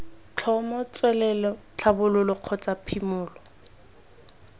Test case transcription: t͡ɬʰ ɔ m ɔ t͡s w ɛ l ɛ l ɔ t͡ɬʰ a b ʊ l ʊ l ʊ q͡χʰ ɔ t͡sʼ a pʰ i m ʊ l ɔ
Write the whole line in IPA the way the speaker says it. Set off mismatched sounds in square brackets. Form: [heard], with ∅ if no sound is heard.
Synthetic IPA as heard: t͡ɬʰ ɔ m ɔ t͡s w ɛ l ɛ l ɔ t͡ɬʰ a b ʊ l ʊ l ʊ q͡χʰ ɔ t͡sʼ a pʰ i m [ʊː] l ɔ